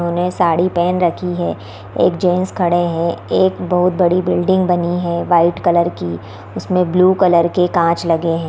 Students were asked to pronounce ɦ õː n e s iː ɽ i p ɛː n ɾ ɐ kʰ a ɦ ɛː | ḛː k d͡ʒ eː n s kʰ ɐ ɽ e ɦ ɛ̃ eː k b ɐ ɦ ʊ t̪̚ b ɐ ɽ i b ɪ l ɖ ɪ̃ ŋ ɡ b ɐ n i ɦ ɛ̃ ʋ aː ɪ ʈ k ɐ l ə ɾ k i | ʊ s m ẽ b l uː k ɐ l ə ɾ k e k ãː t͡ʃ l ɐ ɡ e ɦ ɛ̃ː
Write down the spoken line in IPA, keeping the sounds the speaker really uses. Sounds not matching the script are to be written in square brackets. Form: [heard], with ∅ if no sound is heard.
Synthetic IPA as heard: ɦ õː n e s [aː] ɽ i p ɛː n ɾ ɐ kʰ [i] ɦ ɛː | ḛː k d͡ʒ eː n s kʰ ɐ ɽ e ɦ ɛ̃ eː k b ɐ ɦ ʊ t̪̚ b ɐ ɽ i b ɪ l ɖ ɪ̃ ŋ ɡ b ɐ n i ɦ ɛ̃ ʋ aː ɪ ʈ k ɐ l ə ɾ k i | ʊ s m ẽ b l uː k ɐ l ə ɾ k e k ãː t͡ʃ l ɐ ɡ e ɦ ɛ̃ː

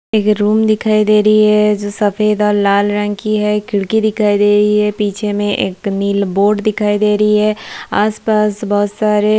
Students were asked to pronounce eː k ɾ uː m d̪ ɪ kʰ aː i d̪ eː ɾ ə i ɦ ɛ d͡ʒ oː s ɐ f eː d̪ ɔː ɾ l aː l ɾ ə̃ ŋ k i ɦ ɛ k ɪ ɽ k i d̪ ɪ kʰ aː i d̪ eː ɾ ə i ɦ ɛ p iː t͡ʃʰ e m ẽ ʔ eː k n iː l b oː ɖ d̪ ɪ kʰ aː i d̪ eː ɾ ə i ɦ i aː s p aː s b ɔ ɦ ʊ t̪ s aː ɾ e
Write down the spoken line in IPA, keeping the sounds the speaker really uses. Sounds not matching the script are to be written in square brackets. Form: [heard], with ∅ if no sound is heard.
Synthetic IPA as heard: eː k ɾ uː m d̪ ɪ kʰ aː i d̪ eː ɾ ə i ɦ ɛ d͡ʒ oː s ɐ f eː d̪ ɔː ɾ l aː l ɾ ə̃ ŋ k i ɦ ɛ k ɪ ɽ k i d̪ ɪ kʰ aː i d̪ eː ɾ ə i ɦ ɛ p iː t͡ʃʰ e m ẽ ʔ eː k n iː l b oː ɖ d̪ ɪ kʰ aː i d̪ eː ɾ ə i ɦ [ɛ] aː s p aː s b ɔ ɦ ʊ t̪ s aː ɾ e

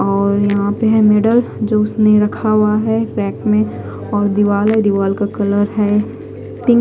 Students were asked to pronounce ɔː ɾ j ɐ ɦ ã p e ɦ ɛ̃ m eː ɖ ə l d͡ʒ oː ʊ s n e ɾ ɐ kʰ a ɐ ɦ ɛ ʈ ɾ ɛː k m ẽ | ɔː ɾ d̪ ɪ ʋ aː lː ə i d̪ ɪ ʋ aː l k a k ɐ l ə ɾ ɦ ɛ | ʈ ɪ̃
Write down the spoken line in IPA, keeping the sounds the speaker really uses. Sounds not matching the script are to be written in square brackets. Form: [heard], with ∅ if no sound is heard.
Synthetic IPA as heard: ɔː ɾ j ɐ ɦ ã p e ɦ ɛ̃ m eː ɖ ə l d͡ʒ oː ʊ s n e ɾ ɐ kʰ a [a] ɦ ɛ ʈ ɾ ɛː k m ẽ | ɔː ɾ d̪ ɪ ʋ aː [l] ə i d̪ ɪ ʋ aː l k a k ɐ l ə ɾ ɦ ɛ | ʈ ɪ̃

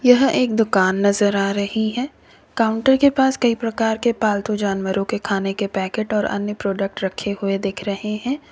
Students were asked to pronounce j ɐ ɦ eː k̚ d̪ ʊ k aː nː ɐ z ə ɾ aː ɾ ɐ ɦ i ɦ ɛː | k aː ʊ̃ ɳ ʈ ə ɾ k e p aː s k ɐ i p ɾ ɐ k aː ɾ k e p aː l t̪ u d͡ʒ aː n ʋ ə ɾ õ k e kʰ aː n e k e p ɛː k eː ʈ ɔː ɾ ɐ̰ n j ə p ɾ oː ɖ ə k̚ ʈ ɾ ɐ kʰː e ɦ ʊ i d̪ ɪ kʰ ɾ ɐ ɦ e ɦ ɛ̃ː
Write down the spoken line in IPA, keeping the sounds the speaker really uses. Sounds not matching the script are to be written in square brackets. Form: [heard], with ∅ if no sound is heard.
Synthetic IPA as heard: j ɐ ɦ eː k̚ d̪ ʊ k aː nː ɐ z ə ɾ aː ɾ ɐ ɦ i ɦ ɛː | k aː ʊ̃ ɳ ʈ ə ɾ k e p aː s k ɐ i p ɾ ɐ k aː ɾ k e p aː l t̪ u d͡ʒ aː n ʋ ə ɾ õ k e kʰ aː n e k e p ɛː k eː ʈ ɔː ɾ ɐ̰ n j ə p ɾ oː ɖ ə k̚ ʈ ɾ ɐ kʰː e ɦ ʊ [e] d̪ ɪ kʰ ɾ ɐ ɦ e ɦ ɛ̃ː

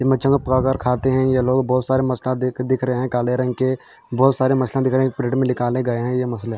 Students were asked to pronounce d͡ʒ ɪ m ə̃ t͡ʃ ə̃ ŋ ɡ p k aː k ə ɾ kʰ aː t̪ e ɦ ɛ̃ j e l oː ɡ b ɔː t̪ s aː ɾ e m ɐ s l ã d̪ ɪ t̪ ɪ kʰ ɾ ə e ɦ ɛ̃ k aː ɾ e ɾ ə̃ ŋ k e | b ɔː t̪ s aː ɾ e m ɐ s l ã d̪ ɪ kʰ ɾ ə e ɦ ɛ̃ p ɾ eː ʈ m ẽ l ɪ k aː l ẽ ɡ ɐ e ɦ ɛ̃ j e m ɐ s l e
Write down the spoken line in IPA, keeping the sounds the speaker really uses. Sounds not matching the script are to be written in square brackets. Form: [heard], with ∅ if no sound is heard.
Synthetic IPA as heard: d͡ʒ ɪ m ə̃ t͡ʃ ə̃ ŋ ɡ p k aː k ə ɾ kʰ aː t̪ e ɦ ɛ̃ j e l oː ɡ b ɔː t̪ s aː ɾ e m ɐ s l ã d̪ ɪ [d̪] ɪ kʰ ɾ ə e ɦ ɛ̃ k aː [l] e ɾ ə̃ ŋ k e | b ɔː t̪ s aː ɾ e m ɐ s l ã d̪ ɪ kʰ ɾ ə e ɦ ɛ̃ p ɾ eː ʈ m ẽ l ɪ k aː l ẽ ɡ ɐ e ɦ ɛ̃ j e m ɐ s l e

